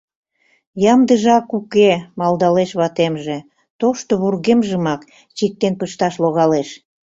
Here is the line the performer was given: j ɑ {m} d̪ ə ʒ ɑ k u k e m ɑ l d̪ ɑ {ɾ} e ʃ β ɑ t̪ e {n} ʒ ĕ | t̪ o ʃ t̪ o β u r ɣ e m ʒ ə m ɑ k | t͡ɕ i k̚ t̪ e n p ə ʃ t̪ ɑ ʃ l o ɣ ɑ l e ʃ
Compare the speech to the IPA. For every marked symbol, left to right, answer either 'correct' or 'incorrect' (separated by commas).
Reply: correct, incorrect, incorrect